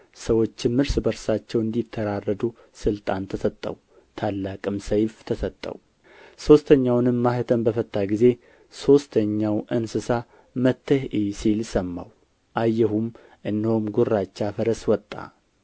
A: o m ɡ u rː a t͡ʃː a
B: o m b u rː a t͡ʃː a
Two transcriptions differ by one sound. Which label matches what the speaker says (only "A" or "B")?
A